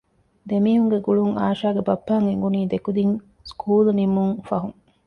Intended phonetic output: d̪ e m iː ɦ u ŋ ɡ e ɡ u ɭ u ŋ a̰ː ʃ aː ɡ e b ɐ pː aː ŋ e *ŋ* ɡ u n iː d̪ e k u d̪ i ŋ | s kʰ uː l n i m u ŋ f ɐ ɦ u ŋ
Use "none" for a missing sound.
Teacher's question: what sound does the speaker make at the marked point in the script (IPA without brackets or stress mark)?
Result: ŋ